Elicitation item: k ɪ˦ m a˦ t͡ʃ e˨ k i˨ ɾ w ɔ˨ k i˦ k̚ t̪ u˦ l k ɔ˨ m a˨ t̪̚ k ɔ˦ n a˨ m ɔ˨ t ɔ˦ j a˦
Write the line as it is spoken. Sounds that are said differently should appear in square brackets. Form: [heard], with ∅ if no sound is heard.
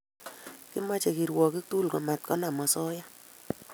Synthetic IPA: k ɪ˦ m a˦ t͡ʃ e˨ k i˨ ɾ w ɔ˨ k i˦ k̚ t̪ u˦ l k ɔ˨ m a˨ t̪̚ k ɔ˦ n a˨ m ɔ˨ [s] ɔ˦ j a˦